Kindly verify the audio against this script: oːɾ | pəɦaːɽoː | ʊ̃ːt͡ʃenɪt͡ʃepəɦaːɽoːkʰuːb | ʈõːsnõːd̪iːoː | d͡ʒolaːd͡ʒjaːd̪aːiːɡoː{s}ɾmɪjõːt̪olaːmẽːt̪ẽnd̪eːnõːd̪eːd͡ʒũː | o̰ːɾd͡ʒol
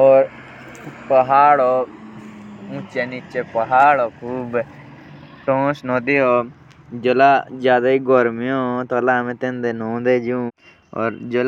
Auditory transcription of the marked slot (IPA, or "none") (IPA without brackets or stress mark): none